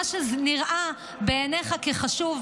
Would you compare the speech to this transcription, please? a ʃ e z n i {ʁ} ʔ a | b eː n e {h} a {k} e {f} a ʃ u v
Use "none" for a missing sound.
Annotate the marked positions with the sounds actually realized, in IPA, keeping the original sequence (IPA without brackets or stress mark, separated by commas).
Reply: ʁ, χ, k, χ